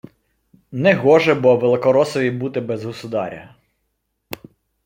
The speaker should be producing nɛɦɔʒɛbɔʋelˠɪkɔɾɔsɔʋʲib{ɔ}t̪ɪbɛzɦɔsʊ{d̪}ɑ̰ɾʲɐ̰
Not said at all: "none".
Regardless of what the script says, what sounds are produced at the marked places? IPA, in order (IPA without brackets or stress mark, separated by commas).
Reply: u, d̪